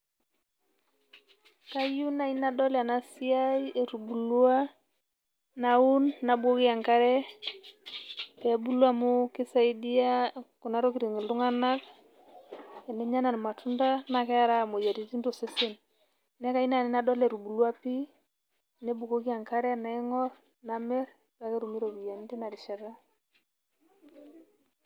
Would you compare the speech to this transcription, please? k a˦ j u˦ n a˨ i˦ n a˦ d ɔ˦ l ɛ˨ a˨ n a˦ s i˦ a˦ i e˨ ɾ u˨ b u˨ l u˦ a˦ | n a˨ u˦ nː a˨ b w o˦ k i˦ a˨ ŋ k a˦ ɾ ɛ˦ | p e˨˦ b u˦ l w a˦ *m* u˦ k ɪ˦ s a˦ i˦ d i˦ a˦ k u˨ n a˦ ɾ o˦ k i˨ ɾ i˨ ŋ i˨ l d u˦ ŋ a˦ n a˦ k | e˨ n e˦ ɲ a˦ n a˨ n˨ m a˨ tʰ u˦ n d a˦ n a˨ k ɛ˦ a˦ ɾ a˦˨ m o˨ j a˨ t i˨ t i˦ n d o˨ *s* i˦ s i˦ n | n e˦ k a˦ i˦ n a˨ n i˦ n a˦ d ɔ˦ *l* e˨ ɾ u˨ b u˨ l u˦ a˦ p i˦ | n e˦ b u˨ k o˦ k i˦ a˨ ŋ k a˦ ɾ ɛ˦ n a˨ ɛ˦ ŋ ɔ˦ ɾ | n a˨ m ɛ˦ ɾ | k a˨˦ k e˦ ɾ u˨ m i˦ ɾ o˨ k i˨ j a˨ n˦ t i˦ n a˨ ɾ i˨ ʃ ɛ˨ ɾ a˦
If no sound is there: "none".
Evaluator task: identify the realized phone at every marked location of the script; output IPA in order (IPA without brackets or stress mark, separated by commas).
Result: m, s, l